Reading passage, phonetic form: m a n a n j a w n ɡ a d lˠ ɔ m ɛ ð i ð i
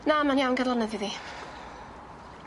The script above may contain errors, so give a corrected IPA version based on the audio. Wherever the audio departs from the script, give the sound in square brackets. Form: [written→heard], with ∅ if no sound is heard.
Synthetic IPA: [m→n] a [n→m] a n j a w n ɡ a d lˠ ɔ [m→n] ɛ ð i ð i

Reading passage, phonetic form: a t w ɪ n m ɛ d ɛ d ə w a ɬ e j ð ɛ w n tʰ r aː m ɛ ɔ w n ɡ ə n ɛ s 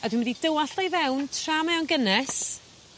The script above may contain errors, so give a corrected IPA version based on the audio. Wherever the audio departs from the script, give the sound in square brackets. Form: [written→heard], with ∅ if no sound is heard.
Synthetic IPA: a [t→d] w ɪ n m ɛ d [ɛ→i] d ə w a ɬ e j [ð→v] ɛ w n tʰ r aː m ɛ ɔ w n ɡ ə n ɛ s

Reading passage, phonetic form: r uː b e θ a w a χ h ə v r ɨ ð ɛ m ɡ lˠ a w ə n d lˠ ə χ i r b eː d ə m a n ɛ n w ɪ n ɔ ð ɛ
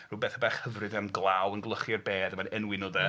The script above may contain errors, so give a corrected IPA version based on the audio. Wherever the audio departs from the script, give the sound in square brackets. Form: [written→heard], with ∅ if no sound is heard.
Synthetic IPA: r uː b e θ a [w→b] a χ h ə v r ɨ ð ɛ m ɡ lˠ a w ə n [d→ɡ] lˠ ə χ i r b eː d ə m a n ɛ n w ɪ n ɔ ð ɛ

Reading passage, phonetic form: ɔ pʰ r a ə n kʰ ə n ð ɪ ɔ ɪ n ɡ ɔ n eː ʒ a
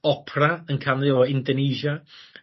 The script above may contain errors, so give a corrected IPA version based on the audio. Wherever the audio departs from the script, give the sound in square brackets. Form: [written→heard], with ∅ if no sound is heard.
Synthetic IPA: ɔ pʰ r a ə n kʰ [ə→a] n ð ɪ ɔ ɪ n [ɡ→d] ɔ n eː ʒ a

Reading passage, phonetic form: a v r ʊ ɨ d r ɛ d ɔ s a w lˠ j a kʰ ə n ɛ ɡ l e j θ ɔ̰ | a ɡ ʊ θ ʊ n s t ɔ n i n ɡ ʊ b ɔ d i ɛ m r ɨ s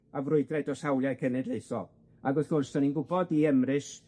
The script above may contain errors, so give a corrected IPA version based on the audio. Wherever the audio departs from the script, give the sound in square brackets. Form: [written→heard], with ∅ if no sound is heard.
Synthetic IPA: a v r ʊ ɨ d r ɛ d ɔ s a w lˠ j a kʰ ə n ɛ [ɡ→d] l e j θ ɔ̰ | a ɡ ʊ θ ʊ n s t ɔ n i n ɡ ʊ b ɔ d i ɛ m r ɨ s

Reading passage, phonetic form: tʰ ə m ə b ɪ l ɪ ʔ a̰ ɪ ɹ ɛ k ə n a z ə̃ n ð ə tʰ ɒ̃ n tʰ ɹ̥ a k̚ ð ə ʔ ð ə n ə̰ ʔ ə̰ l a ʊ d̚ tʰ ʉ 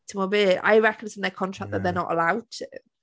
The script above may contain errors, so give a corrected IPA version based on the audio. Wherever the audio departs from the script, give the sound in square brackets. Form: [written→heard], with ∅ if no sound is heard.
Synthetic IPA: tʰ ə m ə b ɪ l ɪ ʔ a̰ ɪ ɹ ɛ k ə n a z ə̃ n ð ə [tʰ→kʰ] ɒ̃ n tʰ ɹ̥ a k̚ ð ə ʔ ð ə n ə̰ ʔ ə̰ l a ʊ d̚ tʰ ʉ

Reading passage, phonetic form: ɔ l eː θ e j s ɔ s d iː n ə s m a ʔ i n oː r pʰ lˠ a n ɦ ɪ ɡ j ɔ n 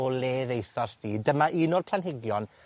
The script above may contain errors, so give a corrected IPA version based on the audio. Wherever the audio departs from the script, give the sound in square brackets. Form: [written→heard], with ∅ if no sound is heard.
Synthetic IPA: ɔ l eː [θ→ð] e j [s→θ] ɔ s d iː [n→d] ə [s→∅] m a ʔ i n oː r pʰ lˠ a n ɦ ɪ ɡ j ɔ n

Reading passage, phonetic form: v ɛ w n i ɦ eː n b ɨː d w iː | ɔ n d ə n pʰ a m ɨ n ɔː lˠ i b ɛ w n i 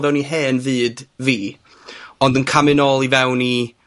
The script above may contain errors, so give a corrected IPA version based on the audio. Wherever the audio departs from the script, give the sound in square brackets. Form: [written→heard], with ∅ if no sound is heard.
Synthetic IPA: v ɛ w n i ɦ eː n [b→v] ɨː d [w→v] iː | ɔ n d ə n [pʰ→kʰ] a m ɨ n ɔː lˠ i [b→v] ɛ w n i

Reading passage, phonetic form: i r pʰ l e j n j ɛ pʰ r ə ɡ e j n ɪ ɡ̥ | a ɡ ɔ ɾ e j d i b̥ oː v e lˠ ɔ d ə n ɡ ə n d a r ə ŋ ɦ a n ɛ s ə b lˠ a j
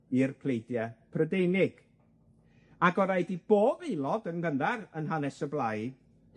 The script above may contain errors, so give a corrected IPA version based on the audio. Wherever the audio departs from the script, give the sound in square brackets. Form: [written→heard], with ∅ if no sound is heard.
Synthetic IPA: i r pʰ l e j [n→d] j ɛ pʰ r ə [ɡ→d] e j n ɪ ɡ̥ | a ɡ ɔ ɾ [e→a] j d i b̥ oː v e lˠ ɔ d ə n ɡ ə n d a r ə [ŋ→n] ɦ a n ɛ s ə b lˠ a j

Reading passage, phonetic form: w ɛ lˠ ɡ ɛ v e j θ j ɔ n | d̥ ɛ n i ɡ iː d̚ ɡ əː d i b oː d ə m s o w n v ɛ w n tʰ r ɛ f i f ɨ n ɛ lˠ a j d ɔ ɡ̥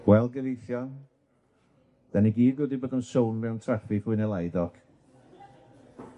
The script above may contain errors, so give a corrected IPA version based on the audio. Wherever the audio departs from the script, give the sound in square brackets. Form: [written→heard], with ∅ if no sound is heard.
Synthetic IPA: w ɛ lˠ ɡ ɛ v e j θ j ɔ n | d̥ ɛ n i ɡ iː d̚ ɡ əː d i b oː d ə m s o w n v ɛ w n tʰ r ɛ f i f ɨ n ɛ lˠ a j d ɔ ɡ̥

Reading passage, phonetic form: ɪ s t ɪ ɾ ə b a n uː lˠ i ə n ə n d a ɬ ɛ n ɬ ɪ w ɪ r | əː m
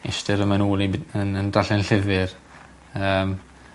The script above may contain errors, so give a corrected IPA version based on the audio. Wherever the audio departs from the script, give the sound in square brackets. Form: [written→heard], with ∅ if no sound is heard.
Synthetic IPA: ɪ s t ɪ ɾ ə [b→m] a n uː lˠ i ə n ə n d a ɬ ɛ n ɬ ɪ [w→v] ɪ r | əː m

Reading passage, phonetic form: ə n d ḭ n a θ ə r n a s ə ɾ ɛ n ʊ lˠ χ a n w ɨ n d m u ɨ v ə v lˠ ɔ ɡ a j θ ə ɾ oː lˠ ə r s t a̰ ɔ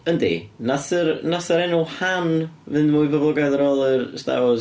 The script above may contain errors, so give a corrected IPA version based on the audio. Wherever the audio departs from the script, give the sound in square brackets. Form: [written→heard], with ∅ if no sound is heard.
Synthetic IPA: ə n d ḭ n a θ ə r n a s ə ɾ ɛ n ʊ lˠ [χ→h] a n [w→v] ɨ n d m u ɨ v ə v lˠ ɔ ɡ a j [θ→ð] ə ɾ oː lˠ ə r s t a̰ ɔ

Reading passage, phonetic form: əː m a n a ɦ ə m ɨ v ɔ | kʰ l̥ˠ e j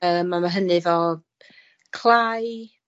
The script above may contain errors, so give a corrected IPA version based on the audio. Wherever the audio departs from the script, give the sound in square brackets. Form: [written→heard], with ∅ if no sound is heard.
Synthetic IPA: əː m a [n→m] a ɦ ə [m→n] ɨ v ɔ | kʰ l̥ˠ [e→a] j

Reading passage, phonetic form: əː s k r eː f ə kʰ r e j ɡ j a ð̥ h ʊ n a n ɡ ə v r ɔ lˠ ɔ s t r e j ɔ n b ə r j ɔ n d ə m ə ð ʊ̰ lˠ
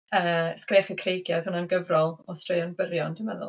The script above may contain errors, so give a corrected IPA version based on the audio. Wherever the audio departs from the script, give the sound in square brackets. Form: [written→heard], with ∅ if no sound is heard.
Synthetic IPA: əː s k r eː f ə kʰ r e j ɡ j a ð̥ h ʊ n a n ɡ ə v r ɔ lˠ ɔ s t r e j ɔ n b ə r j ɔ n d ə m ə ð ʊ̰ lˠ

